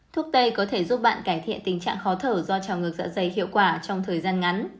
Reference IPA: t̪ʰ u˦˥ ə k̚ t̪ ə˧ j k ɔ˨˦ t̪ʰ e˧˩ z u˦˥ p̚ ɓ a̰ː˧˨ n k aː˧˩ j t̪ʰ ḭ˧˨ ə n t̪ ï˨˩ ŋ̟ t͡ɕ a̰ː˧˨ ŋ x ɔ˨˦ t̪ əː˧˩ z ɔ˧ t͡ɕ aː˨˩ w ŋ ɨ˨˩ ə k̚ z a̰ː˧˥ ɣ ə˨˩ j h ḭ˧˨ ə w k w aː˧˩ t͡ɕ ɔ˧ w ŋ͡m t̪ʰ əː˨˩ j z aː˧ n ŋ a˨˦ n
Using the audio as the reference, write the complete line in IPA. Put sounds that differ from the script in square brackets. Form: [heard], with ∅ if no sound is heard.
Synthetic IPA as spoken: t̪ʰ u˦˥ ə k̚ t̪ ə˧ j k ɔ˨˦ t̪ʰ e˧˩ z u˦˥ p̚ ɓ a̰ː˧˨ n k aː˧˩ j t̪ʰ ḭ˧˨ ə n t̪ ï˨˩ ŋ̟ t͡ɕ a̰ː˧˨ ŋ x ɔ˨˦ [t̪ʰ] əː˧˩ z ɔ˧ t͡ɕ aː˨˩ w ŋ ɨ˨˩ ə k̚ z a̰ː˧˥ [z] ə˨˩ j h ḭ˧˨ ə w k w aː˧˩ t͡ɕ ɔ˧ w ŋ͡m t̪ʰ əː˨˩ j z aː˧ n ŋ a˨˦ n